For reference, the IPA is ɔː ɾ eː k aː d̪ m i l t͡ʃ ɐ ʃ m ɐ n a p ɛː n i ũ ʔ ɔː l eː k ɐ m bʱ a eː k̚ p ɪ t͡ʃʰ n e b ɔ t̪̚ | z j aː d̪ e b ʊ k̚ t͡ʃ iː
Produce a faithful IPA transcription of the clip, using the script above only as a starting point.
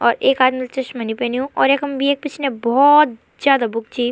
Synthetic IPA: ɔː ɾ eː k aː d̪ m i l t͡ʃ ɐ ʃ m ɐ n i p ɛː n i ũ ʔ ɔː ɾ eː k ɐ m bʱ i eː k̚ p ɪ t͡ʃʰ n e b ɔ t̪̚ | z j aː d̪ a b ʊ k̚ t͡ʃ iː

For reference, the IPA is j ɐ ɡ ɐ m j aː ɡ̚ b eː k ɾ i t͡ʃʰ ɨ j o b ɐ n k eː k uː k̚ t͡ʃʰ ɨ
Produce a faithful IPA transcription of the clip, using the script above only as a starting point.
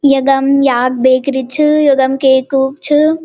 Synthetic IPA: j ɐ ɡ ɐ m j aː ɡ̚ b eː k ɾ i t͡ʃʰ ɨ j o ɡ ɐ m k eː k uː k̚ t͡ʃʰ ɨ

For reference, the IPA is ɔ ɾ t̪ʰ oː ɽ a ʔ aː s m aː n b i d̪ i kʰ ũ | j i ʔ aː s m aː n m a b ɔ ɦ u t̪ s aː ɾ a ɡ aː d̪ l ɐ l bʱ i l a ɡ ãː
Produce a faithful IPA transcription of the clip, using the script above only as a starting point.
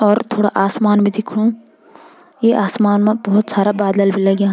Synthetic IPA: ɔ ɾ t̪ʰ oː ɽ a ʔ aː s m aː n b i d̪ i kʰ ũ | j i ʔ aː s m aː n m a b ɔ ɦ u t̪ s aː ɾ a b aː d̪ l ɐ l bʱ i l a ɡ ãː

